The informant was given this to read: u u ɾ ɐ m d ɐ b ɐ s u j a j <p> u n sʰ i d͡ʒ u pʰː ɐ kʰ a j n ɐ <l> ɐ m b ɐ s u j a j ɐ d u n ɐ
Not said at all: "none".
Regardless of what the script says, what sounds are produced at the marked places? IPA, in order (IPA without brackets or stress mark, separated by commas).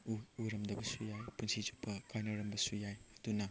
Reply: p, ɾ